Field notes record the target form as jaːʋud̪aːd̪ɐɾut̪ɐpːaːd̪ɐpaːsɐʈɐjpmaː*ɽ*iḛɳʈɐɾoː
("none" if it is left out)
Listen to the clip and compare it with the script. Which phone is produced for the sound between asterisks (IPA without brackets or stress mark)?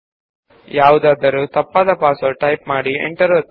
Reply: ɽ